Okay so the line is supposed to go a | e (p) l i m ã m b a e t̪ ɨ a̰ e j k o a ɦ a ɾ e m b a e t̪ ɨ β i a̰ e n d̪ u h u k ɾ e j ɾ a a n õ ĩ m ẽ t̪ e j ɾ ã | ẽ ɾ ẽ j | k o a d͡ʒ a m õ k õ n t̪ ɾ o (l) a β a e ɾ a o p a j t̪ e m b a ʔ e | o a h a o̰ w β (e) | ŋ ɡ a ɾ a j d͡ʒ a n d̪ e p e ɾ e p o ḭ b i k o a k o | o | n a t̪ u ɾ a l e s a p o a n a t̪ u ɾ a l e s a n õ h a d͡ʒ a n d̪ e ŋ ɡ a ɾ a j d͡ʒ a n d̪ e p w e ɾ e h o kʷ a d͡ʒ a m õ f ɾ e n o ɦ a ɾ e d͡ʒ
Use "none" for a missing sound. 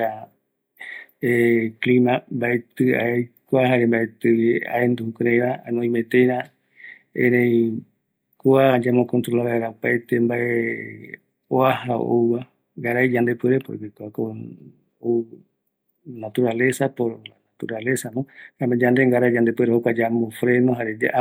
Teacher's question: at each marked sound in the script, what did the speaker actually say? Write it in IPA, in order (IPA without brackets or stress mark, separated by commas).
k, l, a